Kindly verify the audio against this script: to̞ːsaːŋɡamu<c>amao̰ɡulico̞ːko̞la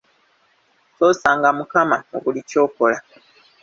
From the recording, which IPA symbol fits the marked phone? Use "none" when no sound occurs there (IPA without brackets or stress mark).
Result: k